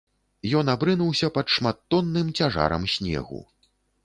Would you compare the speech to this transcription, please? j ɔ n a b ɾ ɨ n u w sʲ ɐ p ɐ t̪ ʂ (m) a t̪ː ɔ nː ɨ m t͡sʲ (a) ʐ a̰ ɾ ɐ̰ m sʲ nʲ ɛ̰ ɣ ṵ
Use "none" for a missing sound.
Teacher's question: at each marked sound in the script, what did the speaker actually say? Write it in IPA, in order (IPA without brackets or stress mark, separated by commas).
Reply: m, a